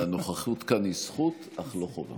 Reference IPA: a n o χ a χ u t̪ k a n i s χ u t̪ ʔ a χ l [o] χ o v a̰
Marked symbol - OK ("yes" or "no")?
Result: yes